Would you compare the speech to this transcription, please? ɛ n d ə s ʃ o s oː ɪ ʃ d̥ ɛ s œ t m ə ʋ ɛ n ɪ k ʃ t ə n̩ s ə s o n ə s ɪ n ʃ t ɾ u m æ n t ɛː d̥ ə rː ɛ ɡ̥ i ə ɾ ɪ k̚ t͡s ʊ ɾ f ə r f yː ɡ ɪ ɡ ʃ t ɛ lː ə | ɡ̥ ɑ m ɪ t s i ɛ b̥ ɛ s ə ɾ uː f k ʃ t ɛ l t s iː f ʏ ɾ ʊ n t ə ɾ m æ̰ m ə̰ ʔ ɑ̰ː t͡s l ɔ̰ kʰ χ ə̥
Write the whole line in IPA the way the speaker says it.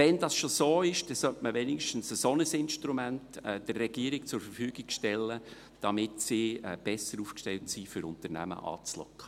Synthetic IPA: ɛ n d ɑ s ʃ o s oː ɪ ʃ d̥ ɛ s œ t m ə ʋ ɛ n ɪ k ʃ t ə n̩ s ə s o n ə s ɪ n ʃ t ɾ u m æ n t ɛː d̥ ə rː ɛ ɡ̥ i ə ɾ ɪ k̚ t͡s ʊ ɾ f ə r f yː ɡ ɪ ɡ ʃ t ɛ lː ə | d̥ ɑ m ɪ t s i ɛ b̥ ɛ s ə ɾ uː f k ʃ t ɛ l t s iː f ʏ ɾ ʊ n t ə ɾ n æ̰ m ə̰ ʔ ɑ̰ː t͡s l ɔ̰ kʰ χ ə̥

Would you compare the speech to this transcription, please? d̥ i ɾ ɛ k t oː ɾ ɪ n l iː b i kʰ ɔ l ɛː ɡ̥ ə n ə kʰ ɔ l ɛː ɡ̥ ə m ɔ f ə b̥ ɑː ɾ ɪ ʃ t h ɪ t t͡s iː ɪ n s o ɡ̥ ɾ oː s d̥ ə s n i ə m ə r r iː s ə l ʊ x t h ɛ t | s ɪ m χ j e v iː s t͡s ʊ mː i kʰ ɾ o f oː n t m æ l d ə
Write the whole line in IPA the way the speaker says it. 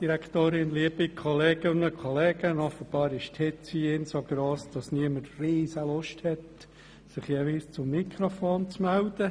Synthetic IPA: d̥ i ɾ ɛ k t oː ɾ ɪ n l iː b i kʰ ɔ l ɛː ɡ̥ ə n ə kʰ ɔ l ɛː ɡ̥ ə n ɔ f ə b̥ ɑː ɾ ɪ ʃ t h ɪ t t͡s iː ɪ n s o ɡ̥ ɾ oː s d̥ ɑ s n i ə m ə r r iː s ə l ʊ ʃ t h ɛ t | s ɪ χ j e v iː s t͡s ʊ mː i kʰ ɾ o f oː n t͡s m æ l d ə

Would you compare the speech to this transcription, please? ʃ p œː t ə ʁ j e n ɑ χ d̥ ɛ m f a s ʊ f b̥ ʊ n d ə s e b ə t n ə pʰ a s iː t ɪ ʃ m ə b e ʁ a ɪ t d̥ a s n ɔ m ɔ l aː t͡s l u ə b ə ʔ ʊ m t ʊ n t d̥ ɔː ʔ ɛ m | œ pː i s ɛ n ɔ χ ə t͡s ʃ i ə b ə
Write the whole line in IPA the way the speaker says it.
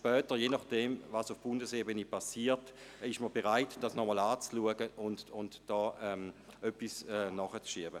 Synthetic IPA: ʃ p œː t ə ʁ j e n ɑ χ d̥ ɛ m v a s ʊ f b̥ ʊ n d ə s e b ə n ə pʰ a s iː t ɪ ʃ m ə b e ʁ a ɪ t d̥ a s n ɔ m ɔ l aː t͡s l u ə ɡ ə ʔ ʊ n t ʊ n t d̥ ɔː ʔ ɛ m | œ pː i s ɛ n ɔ χ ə t͡s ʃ i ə b ə

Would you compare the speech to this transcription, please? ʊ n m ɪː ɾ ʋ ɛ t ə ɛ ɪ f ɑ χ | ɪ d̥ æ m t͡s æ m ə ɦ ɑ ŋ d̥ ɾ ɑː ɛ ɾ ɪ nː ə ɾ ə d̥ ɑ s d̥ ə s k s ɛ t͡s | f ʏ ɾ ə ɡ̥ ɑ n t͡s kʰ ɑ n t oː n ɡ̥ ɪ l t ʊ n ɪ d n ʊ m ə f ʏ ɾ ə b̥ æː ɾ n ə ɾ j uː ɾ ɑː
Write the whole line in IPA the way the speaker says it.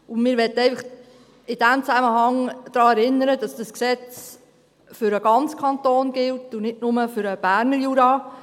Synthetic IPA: ʊ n m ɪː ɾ ʋ ɛ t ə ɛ ɪ f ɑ χ | ɪ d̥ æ m t͡s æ m ə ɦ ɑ ŋ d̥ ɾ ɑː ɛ ɾ ɪ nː ə ɾ ə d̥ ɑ s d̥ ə s k s ɛ t͡s | f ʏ ɾ ə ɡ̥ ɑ n t͡s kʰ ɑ n t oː n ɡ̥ ɪ l t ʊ n ɪ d n ʊ m ə f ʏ ɾ ə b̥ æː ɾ n ə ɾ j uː ɾ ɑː

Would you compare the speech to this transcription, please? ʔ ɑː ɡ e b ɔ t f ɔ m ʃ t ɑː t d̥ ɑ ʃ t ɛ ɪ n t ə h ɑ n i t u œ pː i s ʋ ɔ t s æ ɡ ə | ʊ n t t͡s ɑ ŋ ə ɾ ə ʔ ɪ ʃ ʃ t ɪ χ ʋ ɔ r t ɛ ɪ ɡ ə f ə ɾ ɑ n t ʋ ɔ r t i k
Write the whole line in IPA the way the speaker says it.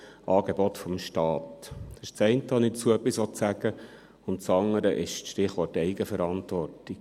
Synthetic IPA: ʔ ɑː ɡ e b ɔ t f ɔ m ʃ t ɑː t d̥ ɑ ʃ t͡s ɛ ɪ n t ə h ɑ n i t͡s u œ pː i s ʋ ɔ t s æ ɡ ə | ʊ n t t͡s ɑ ŋ ə ɾ ə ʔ ɪ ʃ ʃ t ɪ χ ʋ ɔ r t ɛ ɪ ɡ ə f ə ɾ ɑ n t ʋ ɔ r t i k

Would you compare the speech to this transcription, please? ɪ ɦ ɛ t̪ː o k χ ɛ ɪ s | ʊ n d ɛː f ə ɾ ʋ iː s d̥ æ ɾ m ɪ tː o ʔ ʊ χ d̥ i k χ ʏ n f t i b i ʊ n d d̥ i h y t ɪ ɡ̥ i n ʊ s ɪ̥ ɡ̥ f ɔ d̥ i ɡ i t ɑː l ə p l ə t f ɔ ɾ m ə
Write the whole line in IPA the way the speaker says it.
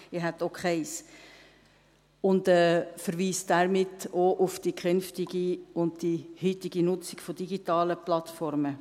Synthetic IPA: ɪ ɦ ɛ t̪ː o k χ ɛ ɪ s | ʊ n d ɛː f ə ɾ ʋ iː s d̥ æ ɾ m ɪ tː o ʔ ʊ f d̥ i k χ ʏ n f t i ɡ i ʊ n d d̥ i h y t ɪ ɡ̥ i n ʊ t͡s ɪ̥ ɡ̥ f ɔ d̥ i ɡ i t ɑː l ə p l ɑ t f ɔ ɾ m ə

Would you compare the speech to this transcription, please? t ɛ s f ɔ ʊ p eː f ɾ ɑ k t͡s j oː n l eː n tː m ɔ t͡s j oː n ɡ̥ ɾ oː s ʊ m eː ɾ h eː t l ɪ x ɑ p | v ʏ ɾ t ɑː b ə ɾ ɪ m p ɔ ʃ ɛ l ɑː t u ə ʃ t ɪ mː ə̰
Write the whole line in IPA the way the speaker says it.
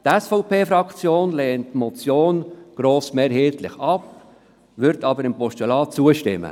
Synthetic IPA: t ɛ s f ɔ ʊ p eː f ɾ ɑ k t͡s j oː n l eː n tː m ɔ t͡s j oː n ɡ̥ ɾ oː s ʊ m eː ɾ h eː t l ɪ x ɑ p | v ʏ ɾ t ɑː b ə ɾ ɪ m p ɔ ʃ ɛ l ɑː t͡s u ə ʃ t ɪ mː ə̰

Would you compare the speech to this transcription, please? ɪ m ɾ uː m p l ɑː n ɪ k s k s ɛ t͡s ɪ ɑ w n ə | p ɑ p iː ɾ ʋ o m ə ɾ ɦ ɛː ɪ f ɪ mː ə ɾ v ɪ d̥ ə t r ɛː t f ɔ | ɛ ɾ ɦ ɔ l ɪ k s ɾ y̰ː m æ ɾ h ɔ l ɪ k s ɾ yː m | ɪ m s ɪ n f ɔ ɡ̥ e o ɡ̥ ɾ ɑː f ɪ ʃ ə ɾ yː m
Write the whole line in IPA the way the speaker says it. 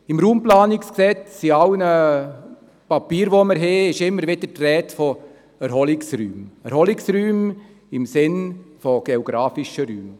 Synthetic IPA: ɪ m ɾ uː m p l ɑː n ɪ k s k s ɛ t͡s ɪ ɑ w n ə | p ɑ p iː ɾ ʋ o m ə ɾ ɦ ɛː ɪ ʃ ɪ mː ə ɾ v ɪ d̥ ə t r ɛː t f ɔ | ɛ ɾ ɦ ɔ l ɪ k s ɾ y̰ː m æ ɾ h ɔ l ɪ k s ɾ yː m | ɪ m s ɪ n f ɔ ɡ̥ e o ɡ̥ ɾ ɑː f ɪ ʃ ə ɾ yː m

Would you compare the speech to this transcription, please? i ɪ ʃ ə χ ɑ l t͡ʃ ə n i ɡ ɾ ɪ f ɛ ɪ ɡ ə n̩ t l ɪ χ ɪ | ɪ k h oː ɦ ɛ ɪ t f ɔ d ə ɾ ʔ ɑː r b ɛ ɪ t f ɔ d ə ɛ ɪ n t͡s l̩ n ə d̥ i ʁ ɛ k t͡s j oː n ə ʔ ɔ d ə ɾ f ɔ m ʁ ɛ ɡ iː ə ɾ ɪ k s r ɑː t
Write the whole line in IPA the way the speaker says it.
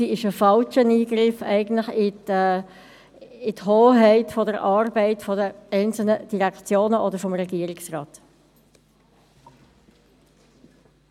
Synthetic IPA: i ɪ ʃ ə f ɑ l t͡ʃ ə n iː ɡ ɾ ɪ f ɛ ɪ ɡ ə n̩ t l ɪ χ ɪ | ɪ t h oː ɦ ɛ ɪ t f ɔ d ə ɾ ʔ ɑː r b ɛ ɪ t f ɔ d ə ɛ ɪ n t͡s l̩ n ə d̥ i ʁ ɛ k t͡s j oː n ə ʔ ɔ d ə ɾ f ɔ m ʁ ɛ ɡ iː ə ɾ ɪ k s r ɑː t

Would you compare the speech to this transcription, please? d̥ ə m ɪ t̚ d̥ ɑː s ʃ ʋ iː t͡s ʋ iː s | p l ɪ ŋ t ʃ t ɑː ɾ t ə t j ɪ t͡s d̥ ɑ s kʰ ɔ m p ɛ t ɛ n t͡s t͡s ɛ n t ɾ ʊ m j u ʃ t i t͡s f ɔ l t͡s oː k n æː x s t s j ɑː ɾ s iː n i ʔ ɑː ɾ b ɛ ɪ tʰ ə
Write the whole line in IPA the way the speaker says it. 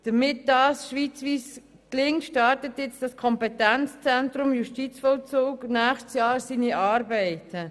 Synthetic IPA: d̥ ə m ɪ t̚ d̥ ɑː s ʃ ʋ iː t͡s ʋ iː s | k l ɪ ŋ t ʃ t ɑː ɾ t ə t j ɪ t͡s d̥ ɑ s kʰ ɔ m p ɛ t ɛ n t͡s t͡s ɛ n t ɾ ʊ m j u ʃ t i t͡s f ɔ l t͡s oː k n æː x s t s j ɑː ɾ s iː n i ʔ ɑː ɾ b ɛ ɪ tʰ ə

